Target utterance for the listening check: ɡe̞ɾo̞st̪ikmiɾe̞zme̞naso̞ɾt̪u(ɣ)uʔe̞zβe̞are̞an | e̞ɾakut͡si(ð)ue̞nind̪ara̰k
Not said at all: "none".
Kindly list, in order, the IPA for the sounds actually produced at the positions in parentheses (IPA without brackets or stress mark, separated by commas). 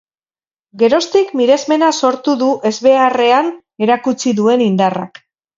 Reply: ð, ð